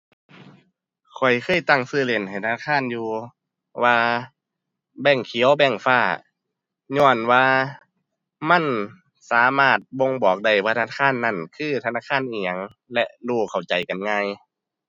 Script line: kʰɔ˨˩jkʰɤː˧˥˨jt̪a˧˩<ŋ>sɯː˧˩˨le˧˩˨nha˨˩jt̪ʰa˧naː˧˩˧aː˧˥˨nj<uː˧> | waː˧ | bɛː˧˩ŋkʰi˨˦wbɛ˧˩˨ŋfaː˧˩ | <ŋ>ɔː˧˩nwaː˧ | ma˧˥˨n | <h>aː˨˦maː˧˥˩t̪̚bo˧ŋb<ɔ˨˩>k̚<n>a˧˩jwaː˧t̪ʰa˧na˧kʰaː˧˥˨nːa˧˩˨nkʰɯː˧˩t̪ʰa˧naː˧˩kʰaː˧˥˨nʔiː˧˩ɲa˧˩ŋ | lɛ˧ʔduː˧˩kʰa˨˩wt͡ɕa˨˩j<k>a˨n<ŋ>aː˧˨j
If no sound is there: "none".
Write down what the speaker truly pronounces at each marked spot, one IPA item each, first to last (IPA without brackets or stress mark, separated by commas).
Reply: ŋ, uː˧, ɲ, s, ɔː˨˩, d, k, ŋ